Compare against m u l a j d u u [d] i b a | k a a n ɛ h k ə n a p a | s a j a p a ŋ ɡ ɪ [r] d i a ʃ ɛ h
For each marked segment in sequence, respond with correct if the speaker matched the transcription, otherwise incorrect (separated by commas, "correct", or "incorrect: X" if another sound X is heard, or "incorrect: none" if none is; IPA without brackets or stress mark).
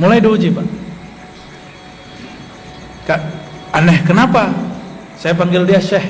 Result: incorrect: d͡ʒ, incorrect: l